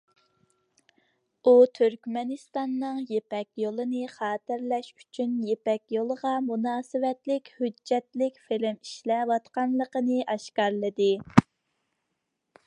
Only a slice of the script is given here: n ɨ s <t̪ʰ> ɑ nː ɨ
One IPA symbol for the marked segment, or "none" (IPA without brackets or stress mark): t̪